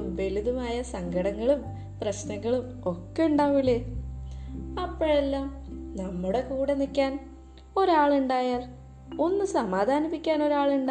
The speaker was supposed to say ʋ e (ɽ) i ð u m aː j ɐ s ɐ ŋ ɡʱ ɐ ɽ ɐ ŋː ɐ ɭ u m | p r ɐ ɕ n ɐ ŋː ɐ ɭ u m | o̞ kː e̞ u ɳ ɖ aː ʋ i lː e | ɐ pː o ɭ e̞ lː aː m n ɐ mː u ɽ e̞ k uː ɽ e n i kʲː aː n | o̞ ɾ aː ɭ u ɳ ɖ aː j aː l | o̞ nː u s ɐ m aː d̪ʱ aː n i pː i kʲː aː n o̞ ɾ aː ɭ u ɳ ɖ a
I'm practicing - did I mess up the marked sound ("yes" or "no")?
yes